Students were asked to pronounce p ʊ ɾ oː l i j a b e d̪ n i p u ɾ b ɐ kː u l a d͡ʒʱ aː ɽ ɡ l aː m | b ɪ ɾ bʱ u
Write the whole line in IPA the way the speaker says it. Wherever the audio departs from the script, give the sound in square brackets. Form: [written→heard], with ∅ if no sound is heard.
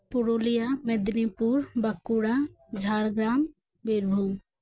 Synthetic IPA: p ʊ ɾ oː l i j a [b→m] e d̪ n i p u ɾ b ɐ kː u [l→ɽ] a d͡ʒʱ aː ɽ ɡ [l→ɾ] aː m | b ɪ ɾ bʱ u